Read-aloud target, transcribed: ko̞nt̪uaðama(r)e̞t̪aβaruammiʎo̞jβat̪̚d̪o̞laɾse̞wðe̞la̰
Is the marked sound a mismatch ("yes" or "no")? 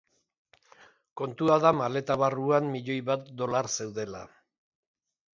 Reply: yes